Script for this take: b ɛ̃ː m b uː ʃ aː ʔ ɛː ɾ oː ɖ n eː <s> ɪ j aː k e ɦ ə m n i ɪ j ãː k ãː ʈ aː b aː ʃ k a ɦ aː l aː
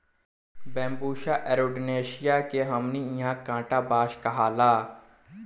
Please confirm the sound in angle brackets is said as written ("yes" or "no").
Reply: no